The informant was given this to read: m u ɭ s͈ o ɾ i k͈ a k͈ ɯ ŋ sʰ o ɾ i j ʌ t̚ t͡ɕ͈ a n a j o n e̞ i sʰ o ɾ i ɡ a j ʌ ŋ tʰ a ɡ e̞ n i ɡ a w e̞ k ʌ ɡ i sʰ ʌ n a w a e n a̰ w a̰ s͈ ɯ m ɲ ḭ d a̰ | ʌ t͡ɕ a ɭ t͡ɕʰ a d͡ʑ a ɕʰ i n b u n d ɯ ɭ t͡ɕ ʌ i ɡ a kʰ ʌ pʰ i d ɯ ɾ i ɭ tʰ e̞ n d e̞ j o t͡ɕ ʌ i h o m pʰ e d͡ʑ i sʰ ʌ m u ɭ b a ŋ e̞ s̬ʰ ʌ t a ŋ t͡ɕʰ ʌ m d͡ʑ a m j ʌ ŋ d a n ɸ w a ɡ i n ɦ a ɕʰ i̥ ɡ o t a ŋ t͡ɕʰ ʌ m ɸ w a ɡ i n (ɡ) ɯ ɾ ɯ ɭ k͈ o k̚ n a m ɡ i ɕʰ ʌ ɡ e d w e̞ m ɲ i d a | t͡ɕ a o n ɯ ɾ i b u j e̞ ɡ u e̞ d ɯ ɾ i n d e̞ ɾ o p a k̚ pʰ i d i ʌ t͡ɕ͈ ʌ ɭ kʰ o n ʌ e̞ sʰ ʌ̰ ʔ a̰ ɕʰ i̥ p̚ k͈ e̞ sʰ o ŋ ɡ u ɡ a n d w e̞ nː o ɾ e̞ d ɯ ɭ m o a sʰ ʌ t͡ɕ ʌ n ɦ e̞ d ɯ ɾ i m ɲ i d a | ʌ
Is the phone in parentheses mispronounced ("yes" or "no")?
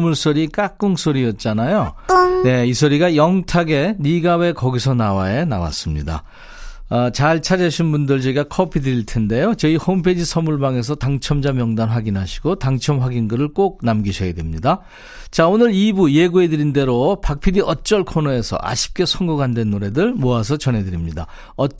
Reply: no